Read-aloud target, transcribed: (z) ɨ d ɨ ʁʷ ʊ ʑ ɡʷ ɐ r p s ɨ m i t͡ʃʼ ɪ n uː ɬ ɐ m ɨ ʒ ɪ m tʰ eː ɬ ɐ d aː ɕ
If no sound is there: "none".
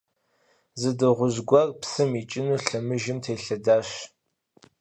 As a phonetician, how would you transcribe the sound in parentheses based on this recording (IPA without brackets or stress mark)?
z